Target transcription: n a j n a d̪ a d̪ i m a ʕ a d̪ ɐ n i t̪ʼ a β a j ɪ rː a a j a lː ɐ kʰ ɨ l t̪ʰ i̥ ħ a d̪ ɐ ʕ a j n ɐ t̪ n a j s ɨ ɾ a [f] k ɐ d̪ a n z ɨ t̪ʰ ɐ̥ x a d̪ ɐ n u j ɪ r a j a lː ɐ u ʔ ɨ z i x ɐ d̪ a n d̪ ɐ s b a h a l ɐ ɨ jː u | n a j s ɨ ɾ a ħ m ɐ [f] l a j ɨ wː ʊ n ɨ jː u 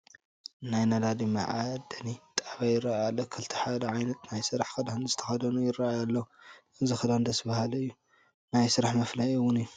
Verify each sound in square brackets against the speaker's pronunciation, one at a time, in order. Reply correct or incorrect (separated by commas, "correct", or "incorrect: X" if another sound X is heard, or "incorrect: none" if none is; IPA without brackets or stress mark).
incorrect: ħ, correct